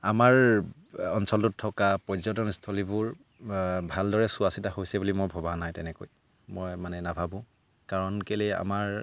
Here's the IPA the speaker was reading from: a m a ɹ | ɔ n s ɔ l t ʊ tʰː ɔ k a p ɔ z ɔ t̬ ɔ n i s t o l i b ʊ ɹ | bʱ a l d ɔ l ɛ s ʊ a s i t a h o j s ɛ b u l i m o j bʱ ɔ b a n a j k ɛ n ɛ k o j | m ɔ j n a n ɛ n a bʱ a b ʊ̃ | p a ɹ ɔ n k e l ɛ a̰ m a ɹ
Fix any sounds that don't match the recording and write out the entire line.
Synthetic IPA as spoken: a m a ɹ | ɔ n s ɔ l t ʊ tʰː ɔ k a p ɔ z ɔ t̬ ɔ n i s tʰ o l i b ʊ ɹ | bʱ a l d ɔ ɹ ɛ s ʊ a s i t a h o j s ɛ b u l i m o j bʱ ɔ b a n a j t ɛ n ɛ k o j | m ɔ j m a n ɛ n a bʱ a b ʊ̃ | k a ɹ ɔ n k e l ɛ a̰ m a ɹ